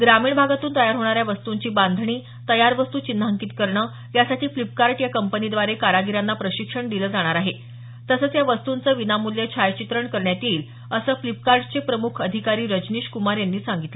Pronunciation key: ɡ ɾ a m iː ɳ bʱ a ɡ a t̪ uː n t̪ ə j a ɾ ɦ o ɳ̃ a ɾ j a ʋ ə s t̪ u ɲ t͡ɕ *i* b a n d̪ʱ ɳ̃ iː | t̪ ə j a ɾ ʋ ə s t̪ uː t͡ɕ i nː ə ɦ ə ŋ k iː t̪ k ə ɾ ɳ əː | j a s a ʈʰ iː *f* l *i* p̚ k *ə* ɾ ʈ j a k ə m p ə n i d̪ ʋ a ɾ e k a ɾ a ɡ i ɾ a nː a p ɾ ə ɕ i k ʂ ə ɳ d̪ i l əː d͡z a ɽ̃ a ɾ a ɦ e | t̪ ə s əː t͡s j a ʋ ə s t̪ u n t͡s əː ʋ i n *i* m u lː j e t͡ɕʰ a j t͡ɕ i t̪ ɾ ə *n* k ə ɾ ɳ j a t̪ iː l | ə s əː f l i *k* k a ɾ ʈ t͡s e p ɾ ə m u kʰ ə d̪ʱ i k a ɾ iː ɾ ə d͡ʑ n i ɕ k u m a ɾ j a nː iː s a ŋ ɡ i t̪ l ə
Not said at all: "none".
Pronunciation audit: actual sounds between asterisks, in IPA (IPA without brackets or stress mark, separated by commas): iː, f, i, a, a, ɳ, p